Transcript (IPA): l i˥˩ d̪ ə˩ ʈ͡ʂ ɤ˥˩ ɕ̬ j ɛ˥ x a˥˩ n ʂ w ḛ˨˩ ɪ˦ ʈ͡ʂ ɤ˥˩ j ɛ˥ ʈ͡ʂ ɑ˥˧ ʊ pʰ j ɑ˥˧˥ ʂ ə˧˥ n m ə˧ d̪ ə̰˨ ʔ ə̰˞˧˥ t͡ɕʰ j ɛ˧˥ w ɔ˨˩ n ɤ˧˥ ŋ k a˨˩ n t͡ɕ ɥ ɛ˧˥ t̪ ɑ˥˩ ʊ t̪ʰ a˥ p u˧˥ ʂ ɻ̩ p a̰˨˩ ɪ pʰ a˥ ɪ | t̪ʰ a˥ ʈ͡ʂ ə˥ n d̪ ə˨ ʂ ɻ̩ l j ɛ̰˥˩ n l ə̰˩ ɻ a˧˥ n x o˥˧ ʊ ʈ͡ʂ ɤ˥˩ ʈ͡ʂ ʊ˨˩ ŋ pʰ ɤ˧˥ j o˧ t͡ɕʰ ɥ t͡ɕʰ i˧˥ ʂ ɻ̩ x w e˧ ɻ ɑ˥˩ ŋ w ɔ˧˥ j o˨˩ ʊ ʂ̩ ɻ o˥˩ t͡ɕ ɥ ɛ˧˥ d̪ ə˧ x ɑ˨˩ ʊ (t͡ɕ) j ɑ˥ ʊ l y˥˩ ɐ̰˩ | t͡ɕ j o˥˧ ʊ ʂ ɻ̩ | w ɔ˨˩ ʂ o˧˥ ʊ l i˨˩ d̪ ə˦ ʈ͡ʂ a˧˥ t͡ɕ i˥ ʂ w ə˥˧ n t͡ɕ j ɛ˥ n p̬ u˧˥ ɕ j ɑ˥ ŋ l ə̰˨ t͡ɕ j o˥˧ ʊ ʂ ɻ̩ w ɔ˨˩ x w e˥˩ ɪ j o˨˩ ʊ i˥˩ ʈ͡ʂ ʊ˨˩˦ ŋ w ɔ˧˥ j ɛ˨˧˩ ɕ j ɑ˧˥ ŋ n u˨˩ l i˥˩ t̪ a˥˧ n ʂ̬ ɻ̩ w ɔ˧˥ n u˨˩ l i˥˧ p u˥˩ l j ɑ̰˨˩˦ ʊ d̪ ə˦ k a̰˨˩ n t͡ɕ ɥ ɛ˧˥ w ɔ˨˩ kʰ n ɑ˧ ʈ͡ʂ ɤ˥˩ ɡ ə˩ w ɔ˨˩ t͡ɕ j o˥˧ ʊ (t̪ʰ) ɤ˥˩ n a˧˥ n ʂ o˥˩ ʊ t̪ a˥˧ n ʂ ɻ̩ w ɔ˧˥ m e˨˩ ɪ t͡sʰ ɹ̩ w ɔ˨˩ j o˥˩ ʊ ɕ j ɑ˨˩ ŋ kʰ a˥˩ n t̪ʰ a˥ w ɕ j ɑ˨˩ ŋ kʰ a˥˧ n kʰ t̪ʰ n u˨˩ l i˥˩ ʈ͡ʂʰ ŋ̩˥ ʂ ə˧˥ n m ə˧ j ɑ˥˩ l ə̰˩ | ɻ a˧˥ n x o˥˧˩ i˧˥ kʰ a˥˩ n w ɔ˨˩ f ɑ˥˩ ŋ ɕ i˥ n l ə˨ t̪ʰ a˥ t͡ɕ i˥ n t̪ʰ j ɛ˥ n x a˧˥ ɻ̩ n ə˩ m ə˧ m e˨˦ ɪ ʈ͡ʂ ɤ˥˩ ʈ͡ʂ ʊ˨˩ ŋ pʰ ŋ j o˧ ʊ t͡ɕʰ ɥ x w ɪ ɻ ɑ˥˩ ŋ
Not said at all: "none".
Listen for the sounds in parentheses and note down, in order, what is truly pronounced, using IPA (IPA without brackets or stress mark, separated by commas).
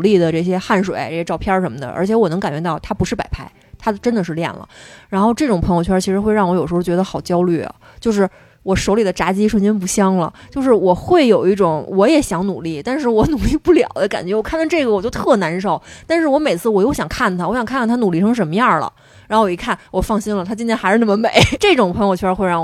t͡ɕ, t̪ʰ